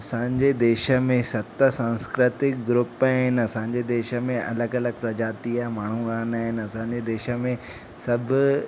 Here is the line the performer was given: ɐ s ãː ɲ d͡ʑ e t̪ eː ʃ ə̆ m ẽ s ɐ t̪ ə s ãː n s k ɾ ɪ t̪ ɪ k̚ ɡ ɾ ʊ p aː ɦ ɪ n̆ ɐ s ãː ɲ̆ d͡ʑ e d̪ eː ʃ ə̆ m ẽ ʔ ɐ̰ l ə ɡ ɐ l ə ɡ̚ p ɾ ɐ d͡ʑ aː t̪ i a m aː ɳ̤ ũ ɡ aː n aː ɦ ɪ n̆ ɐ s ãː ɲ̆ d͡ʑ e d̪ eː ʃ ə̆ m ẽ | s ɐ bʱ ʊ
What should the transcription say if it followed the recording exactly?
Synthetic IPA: ɐ s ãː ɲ d͡ʑ e d̪ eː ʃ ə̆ m ẽ s ɐ t̪ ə s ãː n s k ɾ ɪ t̪ ɪ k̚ ɡ ɾ ʊ p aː ɦ ɪ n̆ ɐ s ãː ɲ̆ d͡ʑ e d̪ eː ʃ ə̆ m ẽ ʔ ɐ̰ l ə ɡ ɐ l ə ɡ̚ p ɾ ɐ d͡ʑ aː t̪ i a m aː ɳ̤ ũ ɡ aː n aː ɦ ɪ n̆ ɐ s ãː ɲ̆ d͡ʑ e d̪ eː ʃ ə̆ m ẽ | s ɐ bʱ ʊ